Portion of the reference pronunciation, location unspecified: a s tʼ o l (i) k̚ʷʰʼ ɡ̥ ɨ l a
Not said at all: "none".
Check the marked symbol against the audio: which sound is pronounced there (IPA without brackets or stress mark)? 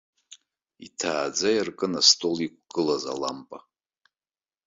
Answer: i